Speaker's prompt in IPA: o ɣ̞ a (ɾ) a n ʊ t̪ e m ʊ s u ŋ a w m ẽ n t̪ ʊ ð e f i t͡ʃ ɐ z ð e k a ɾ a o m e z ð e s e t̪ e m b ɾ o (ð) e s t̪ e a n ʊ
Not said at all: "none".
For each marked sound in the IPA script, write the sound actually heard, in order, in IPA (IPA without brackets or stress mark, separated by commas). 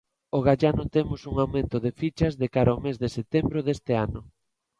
ʎ, ð